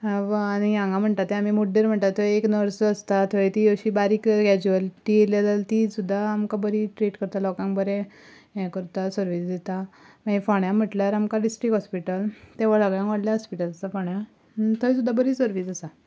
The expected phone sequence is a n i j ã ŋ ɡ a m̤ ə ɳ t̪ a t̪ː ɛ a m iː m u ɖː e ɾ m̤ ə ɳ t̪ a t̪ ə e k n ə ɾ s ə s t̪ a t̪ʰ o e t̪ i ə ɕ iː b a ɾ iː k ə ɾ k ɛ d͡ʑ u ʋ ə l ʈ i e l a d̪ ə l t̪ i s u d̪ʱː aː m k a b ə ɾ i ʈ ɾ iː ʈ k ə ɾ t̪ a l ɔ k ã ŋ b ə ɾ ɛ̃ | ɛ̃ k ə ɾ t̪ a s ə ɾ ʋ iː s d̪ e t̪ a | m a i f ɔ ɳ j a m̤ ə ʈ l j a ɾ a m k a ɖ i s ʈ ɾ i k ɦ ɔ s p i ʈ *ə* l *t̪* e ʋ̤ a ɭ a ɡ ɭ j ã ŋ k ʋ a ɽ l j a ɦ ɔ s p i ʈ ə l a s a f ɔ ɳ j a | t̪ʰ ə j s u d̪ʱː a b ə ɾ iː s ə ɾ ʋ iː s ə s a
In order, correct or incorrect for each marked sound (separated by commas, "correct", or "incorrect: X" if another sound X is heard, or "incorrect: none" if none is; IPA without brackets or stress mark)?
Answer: correct, correct